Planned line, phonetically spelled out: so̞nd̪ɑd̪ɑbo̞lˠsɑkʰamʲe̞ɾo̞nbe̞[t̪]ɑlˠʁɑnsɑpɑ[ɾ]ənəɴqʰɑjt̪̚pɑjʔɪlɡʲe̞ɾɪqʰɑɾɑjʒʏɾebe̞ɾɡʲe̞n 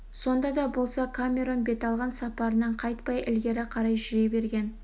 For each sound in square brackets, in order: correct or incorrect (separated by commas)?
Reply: correct, correct